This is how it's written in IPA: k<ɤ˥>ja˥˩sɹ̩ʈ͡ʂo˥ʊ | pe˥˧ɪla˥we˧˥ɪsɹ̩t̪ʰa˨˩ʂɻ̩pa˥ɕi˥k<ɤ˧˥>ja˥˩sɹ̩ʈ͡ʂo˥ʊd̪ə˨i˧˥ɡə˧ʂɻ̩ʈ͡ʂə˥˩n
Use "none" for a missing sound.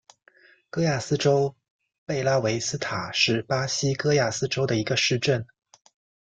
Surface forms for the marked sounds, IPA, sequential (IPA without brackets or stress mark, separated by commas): ɤ˥, ɤ˥